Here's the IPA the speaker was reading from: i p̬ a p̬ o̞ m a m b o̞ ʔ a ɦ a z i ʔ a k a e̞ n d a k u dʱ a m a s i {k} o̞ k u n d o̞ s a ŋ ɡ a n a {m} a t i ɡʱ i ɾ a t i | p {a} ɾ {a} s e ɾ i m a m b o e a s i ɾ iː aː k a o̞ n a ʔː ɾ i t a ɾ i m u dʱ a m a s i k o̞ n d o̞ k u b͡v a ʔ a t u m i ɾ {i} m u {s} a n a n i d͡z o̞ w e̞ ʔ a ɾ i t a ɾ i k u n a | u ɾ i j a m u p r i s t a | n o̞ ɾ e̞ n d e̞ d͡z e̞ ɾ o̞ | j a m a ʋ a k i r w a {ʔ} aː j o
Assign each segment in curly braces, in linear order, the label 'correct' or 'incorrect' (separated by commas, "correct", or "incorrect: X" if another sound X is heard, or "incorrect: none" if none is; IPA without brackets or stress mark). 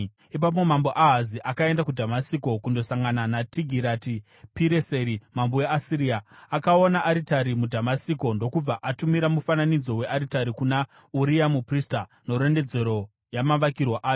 correct, incorrect: n, incorrect: i, incorrect: e, incorrect: a, incorrect: f, correct